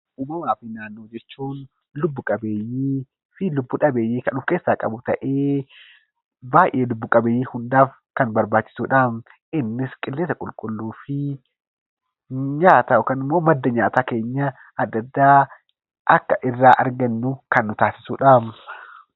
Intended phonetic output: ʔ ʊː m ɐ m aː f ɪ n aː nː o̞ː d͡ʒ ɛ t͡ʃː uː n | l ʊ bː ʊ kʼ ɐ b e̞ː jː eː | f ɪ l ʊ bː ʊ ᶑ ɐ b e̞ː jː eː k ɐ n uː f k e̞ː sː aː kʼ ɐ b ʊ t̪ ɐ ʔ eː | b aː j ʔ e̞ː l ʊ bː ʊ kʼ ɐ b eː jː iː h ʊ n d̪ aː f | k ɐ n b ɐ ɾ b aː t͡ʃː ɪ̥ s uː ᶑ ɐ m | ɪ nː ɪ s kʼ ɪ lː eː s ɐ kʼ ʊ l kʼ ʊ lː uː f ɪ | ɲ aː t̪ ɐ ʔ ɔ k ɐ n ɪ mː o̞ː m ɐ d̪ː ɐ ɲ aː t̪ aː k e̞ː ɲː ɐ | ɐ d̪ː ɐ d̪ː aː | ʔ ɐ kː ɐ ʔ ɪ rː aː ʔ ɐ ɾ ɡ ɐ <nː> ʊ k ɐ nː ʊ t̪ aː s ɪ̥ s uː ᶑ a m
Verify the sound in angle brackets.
correct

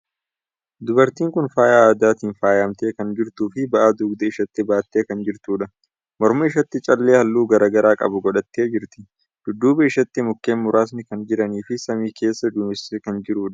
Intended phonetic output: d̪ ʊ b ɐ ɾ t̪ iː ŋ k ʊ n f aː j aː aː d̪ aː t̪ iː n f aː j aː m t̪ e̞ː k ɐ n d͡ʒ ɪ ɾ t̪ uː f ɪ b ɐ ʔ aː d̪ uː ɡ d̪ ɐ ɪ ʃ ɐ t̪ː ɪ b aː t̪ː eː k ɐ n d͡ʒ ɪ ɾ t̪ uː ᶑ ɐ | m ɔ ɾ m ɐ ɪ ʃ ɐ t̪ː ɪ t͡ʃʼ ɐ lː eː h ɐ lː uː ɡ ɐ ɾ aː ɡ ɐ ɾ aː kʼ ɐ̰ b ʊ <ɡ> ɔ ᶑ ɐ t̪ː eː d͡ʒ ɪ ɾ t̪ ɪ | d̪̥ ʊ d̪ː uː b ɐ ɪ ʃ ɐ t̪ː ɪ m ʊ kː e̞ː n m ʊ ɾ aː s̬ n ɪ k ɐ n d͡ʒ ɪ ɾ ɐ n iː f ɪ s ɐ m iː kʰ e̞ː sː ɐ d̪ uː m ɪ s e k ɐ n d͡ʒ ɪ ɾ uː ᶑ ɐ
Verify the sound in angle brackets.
correct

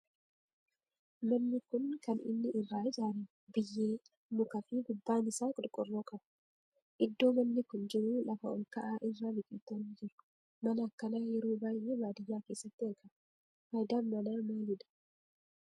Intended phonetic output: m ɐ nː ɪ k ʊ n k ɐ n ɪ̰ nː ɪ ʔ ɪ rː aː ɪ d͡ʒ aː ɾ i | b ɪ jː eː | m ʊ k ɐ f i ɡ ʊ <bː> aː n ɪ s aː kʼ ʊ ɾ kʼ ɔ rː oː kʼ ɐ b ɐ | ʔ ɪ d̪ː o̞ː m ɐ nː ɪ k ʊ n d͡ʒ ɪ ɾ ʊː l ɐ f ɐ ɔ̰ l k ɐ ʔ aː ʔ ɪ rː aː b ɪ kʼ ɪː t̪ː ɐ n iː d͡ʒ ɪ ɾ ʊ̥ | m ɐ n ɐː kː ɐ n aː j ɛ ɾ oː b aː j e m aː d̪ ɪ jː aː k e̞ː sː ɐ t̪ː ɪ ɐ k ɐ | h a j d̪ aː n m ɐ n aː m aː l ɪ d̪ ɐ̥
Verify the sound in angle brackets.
correct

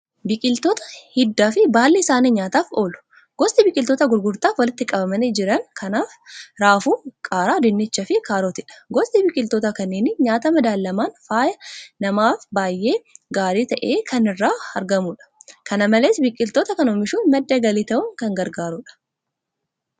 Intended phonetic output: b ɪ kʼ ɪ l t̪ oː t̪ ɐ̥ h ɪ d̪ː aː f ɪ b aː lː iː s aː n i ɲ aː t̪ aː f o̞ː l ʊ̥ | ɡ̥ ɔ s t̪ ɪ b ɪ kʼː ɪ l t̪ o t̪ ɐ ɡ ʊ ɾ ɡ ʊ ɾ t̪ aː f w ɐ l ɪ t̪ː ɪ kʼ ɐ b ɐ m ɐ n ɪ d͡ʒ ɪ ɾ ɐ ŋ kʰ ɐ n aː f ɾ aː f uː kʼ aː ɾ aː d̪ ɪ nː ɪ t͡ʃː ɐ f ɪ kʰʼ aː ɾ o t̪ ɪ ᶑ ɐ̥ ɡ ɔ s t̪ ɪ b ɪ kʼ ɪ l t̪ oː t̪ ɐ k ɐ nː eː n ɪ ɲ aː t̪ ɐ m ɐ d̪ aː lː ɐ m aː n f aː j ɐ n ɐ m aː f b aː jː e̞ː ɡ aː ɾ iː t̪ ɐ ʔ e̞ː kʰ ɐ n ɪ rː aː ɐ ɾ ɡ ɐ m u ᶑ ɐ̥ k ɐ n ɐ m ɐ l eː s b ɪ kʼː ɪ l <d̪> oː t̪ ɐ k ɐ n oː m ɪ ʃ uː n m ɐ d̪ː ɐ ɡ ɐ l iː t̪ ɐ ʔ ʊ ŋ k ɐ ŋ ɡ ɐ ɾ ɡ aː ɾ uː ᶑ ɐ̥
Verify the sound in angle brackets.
incorrect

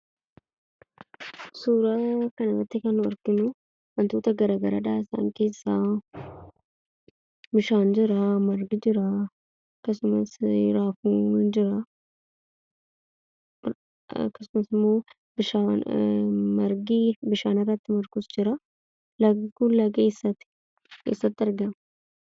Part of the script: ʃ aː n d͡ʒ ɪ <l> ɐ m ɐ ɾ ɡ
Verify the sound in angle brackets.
incorrect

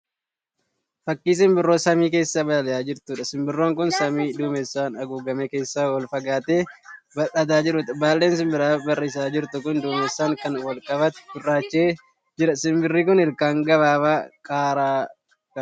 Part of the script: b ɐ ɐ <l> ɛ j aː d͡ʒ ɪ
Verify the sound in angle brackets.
correct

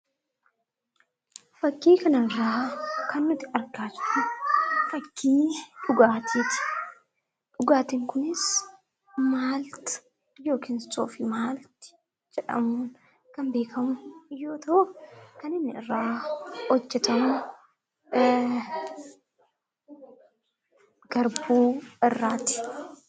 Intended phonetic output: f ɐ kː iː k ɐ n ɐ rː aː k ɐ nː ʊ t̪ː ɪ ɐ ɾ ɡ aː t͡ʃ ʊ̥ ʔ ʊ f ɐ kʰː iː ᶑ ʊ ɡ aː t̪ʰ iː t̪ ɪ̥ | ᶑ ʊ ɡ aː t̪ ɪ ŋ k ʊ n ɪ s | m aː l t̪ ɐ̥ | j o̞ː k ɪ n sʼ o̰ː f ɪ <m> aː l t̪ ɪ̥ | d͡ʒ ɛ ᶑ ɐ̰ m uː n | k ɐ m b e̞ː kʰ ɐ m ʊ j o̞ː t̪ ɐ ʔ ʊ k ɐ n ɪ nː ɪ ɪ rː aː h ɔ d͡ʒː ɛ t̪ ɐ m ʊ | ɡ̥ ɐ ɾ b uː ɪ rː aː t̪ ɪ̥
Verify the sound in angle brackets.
correct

